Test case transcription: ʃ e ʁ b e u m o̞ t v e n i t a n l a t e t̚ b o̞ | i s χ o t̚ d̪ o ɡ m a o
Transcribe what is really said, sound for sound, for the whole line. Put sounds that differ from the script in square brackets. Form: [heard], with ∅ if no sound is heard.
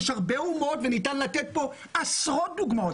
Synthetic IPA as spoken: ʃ [a] ʁ b e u m o̞ t v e n i t a n l a t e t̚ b o̞ | [a] s [ʁ] o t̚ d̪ [u] ɡ m a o